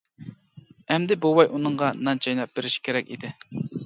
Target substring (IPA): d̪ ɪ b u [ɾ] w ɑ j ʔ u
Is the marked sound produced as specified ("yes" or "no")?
no